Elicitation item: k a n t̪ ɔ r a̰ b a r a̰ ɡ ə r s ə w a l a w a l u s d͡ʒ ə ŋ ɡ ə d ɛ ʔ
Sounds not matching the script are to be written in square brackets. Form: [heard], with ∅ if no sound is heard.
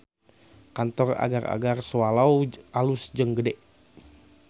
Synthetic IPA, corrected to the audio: k a n t̪ ɔ r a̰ [ɡ] a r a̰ ɡ [a] r s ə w a l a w a l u s d͡ʒ ə ŋ ɡ ə d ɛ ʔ